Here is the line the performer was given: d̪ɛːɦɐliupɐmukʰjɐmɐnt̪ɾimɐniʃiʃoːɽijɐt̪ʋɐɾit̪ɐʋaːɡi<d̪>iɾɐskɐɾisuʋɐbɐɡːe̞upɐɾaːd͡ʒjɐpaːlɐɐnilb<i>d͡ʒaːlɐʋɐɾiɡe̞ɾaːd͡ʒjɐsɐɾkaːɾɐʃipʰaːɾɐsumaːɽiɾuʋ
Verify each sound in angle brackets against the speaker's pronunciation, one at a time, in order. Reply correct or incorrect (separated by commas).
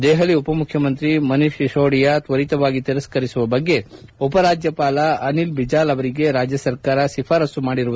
incorrect, correct